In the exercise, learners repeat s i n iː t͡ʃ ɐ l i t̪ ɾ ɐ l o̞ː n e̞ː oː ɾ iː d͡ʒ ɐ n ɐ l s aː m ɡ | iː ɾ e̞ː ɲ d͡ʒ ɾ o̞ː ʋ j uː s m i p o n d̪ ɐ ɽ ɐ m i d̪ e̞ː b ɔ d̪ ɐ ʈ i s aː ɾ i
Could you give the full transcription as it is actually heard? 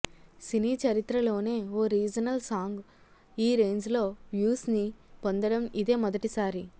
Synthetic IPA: s i n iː t͡ʃ ɐ ɾ i t̪ ɾ ɐ l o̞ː n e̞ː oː ɾ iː d͡ʒ ɐ n ɐ l s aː ŋ ɡ | iː ɾ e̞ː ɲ d͡ʒ l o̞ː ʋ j uː s n i p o n d̪ ɐ ɽ ɐ m i d̪ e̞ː m ɔ d̪ ɐ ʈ i s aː ɾ i